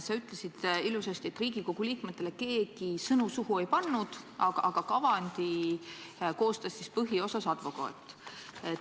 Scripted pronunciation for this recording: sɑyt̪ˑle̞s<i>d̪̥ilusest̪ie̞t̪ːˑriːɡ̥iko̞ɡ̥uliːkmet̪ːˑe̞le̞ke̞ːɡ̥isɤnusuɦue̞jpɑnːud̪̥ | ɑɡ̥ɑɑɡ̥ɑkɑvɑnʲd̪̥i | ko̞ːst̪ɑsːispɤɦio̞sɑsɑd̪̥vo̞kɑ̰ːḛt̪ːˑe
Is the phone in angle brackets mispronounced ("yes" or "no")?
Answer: no